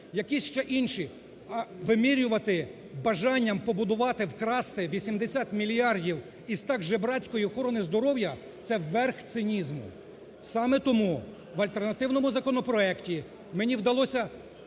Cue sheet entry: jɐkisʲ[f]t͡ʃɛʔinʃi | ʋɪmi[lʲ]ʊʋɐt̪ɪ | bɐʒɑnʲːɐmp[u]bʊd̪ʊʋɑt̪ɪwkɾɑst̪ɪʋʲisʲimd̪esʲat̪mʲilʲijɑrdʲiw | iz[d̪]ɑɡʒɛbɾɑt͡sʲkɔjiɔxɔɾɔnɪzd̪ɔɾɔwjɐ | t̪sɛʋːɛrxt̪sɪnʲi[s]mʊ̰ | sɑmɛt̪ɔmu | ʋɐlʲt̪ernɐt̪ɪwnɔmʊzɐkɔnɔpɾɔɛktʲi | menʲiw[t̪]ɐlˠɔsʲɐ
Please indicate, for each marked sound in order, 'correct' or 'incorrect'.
incorrect, incorrect, incorrect, incorrect, incorrect, incorrect

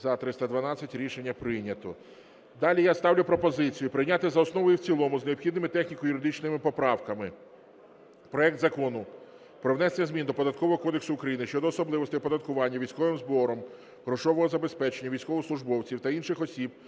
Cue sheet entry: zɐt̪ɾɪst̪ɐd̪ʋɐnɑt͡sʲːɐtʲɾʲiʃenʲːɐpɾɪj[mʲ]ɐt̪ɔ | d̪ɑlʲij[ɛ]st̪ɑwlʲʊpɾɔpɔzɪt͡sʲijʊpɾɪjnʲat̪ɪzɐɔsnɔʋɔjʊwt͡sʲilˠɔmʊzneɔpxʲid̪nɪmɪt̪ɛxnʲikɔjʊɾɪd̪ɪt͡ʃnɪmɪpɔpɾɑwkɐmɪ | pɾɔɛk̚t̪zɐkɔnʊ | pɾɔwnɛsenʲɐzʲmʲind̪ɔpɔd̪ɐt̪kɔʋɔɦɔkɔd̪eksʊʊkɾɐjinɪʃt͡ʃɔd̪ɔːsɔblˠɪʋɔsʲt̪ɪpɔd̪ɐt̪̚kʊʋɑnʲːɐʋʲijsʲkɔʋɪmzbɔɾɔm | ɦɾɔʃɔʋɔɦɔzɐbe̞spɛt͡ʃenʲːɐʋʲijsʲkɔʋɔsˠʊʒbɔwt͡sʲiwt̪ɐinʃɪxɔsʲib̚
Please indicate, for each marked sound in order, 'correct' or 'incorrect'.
incorrect, incorrect

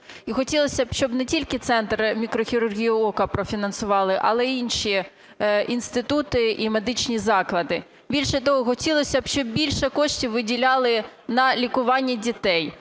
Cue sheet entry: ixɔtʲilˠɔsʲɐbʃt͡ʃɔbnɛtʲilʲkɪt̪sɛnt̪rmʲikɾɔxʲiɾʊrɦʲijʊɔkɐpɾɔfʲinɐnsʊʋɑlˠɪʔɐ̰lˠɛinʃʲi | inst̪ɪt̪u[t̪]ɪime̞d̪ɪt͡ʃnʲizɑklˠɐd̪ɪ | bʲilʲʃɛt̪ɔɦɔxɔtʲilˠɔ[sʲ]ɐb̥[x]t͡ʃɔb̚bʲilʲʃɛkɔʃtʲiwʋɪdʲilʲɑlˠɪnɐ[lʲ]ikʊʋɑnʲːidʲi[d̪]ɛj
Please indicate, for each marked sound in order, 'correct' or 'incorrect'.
correct, correct, incorrect, correct, incorrect

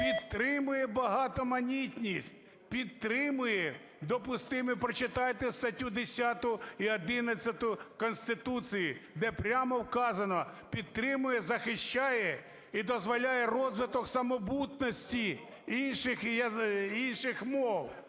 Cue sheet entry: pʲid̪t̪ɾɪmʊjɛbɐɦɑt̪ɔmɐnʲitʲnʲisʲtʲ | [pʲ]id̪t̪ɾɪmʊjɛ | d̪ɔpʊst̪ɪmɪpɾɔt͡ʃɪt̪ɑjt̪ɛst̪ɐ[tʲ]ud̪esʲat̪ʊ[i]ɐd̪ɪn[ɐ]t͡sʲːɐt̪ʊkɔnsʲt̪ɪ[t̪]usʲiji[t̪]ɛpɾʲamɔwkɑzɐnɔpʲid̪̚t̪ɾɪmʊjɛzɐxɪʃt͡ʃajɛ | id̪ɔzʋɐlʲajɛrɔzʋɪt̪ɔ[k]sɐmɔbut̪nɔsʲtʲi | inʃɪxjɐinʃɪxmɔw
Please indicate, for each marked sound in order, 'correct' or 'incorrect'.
correct, correct, correct, correct, correct, incorrect, correct

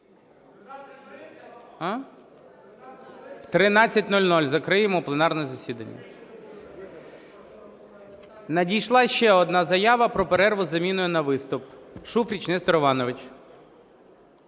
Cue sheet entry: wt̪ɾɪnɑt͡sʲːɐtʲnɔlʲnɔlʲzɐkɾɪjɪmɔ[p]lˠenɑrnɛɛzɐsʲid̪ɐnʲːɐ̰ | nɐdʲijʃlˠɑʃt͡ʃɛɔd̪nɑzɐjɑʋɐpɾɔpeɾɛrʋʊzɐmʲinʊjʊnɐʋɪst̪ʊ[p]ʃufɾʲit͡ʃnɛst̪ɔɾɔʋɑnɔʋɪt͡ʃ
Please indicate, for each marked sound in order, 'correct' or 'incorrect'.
correct, correct

